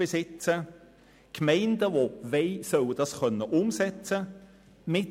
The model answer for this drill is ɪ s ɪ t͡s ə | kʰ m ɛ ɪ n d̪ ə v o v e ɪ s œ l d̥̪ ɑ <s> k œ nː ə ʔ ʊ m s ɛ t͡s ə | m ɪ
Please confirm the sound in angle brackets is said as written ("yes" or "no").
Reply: yes